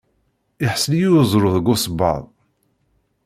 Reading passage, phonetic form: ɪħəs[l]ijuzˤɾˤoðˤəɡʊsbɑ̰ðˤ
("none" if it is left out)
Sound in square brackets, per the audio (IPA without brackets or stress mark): l